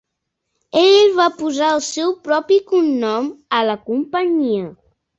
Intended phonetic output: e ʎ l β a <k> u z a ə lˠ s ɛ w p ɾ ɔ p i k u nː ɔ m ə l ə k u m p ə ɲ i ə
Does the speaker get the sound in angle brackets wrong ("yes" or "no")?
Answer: yes